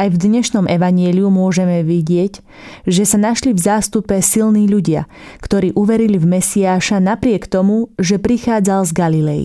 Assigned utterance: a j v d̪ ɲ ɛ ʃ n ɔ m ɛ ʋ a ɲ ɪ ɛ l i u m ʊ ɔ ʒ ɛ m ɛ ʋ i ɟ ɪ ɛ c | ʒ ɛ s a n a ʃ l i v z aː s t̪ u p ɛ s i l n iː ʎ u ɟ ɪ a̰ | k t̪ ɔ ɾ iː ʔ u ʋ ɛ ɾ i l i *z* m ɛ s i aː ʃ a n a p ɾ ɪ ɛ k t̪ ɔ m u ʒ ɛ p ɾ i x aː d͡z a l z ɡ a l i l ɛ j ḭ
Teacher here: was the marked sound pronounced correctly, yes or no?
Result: no